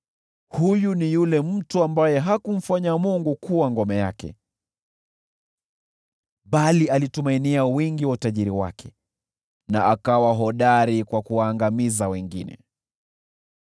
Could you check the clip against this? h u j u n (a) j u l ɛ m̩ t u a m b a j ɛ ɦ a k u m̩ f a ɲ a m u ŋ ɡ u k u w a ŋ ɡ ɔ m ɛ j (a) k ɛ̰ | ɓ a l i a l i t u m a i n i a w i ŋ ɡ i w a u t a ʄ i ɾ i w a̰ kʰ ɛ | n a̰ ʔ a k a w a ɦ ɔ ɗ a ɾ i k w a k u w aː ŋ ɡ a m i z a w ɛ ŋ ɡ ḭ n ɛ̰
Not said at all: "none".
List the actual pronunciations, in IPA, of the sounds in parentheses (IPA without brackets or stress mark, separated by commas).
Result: i, a